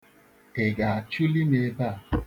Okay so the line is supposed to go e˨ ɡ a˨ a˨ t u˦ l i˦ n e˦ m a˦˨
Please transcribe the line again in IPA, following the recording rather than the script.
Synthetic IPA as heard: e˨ ɡ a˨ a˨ t͡ʃ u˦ l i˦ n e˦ b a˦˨